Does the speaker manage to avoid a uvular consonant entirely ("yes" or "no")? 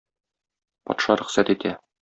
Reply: no